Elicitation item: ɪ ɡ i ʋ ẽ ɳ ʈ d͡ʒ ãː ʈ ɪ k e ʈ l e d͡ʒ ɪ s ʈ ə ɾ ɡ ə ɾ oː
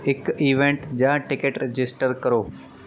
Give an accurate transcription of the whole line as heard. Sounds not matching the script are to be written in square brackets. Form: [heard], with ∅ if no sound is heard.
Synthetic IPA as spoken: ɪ [k] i ʋ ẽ ɳ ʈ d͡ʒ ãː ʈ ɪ k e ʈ [ɾ] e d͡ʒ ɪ s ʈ ə ɾ [k] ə ɾ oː